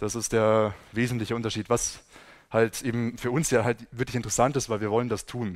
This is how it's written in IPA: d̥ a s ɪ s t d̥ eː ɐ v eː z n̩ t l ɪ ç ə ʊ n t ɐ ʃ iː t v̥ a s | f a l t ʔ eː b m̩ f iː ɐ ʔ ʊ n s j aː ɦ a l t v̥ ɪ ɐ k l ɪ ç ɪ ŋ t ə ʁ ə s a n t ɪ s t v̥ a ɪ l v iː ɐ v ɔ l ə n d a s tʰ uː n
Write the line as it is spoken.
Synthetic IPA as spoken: d̥ a s ɪ s t d̥ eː ɐ v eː z n̩ t l ɪ ç ə ʊ n t ɐ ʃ iː t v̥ a s | h a l t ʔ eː b m̩ f yː ɐ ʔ ʊ n s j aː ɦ a l t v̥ ɪ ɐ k l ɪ ç ɪ n t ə ʁ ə s a n t ɪ s t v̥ a ɪ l v iː ɐ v ɔ l ə n d a s tʰ uː n